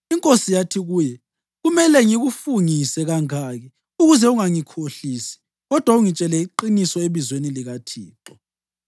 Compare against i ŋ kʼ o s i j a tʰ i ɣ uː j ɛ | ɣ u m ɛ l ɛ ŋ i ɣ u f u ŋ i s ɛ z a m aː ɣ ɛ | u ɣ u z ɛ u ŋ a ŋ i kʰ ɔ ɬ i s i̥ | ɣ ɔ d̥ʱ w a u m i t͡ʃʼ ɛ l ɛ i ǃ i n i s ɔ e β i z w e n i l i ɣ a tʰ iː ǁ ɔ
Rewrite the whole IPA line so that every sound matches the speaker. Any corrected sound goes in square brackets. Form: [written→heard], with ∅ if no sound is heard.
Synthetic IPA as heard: i ŋ kʼ o s i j a tʰ i ɣ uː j ɛ | ɣ u m ɛ l ɛ ŋ i ɣ u f u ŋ i s ɛ [z→ɣ] a [m→ŋ] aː ɣ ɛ | u ɣ u z ɛ u ŋ a ŋ i kʰ [ɔ→o] ɬ i s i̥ | ɣ ɔ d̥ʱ w a u [m→ŋ] i t͡ʃʼ ɛ l ɛ i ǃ i n i s ɔ e β i z w e n i l i ɣ a tʰ iː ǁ ɔ